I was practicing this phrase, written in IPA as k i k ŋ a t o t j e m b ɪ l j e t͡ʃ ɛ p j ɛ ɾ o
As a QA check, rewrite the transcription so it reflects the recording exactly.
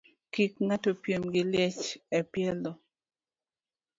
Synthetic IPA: k i k ŋ a t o p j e m ɡ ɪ l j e t͡ʃ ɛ p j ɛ l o